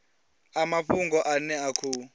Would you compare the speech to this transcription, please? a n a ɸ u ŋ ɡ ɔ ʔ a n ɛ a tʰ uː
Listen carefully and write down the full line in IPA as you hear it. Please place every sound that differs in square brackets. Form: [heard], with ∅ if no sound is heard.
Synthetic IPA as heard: a [m] a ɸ u ŋ ɡ ɔ ʔ a n ɛ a [kʰ] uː

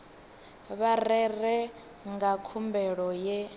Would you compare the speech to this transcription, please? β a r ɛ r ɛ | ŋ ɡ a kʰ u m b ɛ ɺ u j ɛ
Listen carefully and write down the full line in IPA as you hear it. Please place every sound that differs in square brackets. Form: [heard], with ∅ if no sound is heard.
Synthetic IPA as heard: β a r ɛ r ɛ | ŋ ɡ a kʰ u m b ɛ ɺ [ɔ] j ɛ

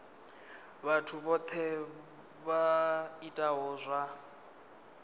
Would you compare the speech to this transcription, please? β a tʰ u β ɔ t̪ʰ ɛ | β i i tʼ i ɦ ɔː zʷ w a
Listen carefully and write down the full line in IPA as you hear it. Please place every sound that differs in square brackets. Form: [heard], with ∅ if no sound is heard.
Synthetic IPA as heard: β a tʰ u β ɔ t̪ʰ ɛ | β [a] i tʼ [a] ɦ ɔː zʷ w a

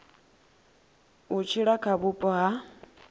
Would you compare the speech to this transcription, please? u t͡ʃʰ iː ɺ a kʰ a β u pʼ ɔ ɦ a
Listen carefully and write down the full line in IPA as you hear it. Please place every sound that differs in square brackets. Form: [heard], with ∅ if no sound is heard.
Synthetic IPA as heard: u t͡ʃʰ [i] ɺ a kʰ a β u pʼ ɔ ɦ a

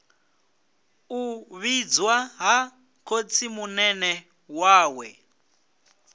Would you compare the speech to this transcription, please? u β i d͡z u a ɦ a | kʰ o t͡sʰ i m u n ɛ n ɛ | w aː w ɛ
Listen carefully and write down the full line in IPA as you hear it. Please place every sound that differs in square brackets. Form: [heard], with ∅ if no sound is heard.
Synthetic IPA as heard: u β i d͡z [w] a ɦ a | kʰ o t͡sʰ i m u n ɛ n ɛ | w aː w ɛ

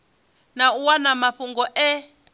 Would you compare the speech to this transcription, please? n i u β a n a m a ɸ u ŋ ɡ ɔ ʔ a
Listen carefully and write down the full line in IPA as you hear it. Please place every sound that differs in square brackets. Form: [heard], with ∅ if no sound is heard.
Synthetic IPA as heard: n [a] u [w] a n a m a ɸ u ŋ ɡ ɔ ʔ [ɛ]

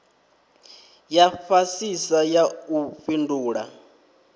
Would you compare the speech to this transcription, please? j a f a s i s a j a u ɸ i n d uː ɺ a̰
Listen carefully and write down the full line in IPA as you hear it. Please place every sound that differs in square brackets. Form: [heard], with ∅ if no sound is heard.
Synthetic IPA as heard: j a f a s i s a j a u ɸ i n d uː ɺ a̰

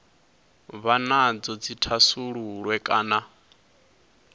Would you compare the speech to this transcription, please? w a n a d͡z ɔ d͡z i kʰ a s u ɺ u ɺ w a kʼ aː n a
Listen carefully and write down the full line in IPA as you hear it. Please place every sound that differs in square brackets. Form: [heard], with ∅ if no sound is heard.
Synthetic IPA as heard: [β] a n a d͡z ɔ d͡z i [tʰ] a s u ɺ u ɺ w [ɛ] kʼ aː n a

